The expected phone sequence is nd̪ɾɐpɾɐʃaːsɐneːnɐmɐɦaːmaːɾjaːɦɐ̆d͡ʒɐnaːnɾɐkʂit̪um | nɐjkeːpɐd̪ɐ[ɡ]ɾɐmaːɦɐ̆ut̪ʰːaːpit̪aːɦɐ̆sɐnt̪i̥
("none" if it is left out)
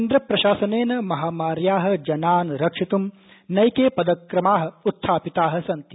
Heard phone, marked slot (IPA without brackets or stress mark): k